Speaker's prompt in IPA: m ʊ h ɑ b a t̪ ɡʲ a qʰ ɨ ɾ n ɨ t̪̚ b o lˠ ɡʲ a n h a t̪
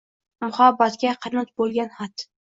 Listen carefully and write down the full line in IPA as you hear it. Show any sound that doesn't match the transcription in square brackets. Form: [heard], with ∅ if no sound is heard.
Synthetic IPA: m ʊ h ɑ b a t̪ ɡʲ a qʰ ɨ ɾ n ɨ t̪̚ b o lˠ ɡʲ a n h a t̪